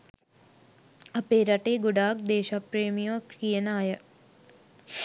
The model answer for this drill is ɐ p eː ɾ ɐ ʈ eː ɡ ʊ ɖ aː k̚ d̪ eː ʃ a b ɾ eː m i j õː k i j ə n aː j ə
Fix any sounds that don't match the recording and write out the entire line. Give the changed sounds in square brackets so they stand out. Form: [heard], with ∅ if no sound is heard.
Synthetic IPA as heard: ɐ p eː ɾ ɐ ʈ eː ɡ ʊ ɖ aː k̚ d̪ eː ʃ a [p] ɾ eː m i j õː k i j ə n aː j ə